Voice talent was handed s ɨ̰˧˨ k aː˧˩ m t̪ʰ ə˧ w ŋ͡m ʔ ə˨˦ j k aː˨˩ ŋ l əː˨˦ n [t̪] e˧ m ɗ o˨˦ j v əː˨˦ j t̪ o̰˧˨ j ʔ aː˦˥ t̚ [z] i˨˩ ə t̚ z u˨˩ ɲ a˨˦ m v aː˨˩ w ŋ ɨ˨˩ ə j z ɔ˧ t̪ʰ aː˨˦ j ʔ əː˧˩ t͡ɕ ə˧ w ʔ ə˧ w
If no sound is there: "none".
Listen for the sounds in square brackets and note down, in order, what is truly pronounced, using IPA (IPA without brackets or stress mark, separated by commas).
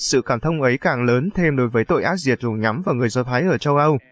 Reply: t̪ʰ, z